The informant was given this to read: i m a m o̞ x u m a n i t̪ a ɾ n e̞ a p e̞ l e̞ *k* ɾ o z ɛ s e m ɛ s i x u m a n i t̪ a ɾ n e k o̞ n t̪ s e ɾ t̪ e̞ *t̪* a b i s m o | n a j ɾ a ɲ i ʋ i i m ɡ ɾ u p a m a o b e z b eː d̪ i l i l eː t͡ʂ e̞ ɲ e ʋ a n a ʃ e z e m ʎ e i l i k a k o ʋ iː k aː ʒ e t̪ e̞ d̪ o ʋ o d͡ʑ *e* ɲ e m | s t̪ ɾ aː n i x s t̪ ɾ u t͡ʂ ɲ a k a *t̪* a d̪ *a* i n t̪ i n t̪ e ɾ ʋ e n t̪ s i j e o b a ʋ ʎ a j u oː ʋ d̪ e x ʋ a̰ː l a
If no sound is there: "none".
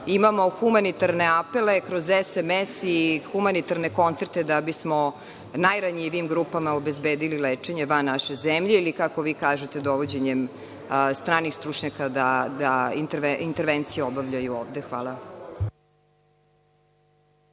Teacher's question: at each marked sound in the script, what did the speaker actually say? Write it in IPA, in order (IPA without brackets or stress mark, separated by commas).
k, d̪, e, d̪, a